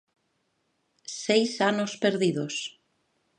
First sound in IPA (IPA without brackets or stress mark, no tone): s